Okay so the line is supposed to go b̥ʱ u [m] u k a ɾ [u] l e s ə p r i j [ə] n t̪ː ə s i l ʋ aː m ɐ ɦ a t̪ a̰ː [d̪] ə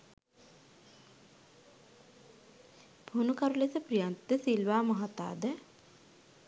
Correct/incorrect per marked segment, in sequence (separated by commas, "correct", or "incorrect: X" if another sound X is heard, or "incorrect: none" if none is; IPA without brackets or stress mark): incorrect: n, correct, incorrect: a, correct